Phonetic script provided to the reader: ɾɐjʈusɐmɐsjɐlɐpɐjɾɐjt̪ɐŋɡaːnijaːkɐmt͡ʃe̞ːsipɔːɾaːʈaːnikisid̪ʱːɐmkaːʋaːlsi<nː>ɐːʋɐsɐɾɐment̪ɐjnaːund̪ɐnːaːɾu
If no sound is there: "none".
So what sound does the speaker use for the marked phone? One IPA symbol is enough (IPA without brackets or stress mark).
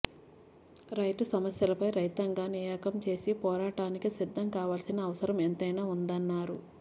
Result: n